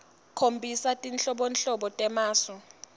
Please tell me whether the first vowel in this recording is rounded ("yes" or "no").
yes